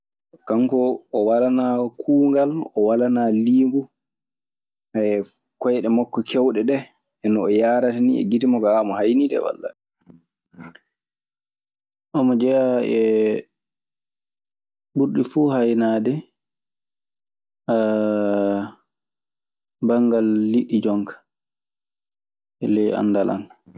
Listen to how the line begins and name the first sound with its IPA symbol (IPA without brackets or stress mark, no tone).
k